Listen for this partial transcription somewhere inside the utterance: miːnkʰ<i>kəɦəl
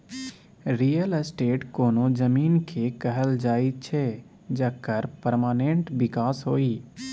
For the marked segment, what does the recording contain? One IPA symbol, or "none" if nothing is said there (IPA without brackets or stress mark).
e